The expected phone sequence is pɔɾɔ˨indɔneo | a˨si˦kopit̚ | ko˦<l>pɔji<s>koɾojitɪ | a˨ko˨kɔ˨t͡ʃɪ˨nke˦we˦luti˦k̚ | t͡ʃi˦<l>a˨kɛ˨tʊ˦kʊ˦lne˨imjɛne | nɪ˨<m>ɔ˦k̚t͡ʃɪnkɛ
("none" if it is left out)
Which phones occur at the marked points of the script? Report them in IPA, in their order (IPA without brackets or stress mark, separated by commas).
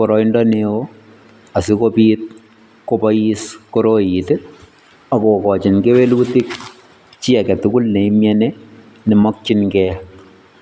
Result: none, s, none, m